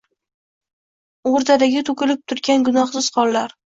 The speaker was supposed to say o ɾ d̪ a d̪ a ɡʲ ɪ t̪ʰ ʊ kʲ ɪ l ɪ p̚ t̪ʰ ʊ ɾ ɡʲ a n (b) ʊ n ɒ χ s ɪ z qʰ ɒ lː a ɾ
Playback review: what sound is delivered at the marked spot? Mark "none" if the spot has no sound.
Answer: ɡ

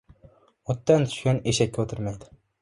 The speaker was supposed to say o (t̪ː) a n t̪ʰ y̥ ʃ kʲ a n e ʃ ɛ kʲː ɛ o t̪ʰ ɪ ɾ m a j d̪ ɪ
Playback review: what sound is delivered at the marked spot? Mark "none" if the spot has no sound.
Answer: t̪ː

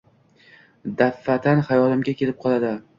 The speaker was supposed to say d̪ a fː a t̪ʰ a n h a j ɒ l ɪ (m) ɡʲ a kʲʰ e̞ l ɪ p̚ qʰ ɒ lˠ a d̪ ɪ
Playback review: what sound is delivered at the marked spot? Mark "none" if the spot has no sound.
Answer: m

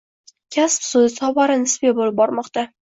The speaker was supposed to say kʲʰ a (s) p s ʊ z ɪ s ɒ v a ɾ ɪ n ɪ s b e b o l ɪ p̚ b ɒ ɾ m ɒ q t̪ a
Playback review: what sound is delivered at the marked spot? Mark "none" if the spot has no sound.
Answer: s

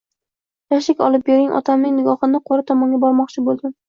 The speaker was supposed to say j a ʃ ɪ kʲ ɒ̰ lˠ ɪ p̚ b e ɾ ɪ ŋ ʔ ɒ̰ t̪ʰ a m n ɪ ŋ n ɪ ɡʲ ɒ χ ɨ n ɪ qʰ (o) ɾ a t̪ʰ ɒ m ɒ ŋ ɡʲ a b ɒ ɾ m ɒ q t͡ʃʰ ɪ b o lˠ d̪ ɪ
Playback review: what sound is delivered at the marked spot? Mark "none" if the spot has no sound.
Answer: o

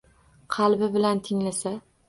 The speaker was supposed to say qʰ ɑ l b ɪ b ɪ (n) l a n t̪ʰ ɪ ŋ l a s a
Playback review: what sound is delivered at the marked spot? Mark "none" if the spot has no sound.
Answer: none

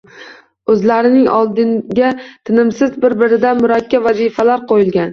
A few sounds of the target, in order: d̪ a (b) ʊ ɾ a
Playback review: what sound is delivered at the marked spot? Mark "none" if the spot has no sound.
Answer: m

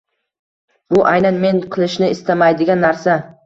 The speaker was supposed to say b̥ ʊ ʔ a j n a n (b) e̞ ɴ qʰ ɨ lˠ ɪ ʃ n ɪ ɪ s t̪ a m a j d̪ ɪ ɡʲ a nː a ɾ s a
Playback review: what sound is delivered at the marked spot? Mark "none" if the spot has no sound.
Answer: m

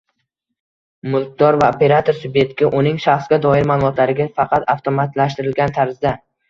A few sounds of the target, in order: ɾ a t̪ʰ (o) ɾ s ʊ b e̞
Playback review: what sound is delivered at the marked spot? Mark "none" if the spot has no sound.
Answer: o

